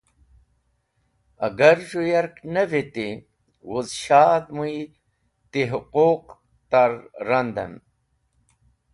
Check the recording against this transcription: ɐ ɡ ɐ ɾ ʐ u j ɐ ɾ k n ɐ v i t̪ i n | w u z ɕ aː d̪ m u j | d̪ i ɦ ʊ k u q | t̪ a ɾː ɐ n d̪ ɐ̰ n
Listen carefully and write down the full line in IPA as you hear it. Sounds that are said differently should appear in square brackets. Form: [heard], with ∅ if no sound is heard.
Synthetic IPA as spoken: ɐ ɡ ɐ ɾ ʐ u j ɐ ɾ k n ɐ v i t̪ i [∅] | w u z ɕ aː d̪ m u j | [t̪] i ɦ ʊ [q] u q | t̪ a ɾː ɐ n d̪ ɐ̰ n